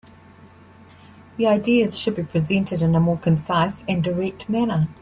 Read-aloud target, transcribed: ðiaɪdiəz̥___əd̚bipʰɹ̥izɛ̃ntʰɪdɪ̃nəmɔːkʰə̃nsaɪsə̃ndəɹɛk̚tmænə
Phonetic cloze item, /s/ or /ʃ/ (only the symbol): ʃ